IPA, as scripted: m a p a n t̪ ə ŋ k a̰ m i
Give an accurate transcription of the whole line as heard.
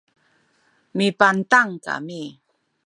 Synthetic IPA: m i p a n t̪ a ŋ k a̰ m i